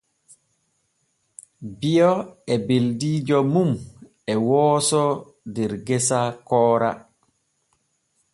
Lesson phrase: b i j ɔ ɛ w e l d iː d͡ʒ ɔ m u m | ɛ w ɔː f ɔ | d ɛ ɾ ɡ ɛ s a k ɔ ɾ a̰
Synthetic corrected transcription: b i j ɔ ɛ b e l d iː d͡ʒ ɔ m u m | ɛ w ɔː s ɔ | d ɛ ɾ ɡ ɛ s a k ɔː ɾ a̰